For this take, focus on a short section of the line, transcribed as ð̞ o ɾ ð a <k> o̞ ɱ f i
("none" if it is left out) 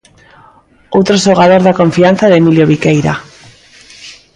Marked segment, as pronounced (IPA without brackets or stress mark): k